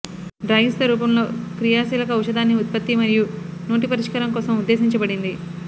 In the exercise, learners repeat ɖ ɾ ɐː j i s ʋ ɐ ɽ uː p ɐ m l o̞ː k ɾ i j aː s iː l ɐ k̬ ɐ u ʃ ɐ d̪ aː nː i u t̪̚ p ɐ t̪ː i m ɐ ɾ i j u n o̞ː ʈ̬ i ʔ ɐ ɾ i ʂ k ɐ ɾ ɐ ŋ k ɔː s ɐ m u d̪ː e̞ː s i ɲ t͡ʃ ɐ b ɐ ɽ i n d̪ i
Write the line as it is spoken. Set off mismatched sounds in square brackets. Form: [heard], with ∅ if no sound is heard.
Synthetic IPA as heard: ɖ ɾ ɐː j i s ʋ ɐ [ɾ] uː p ɐ m l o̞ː k ɾ i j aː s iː l ɐ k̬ ɐ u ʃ ɐ d̪ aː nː i u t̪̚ p ɐ t̪ː i m ɐ ɾ i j u n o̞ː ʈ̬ i [p] ɐ ɾ i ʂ k ɐ ɾ ɐ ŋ k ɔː s ɐ m u d̪ː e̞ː s i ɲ t͡ʃ ɐ b ɐ ɽ i n d̪ i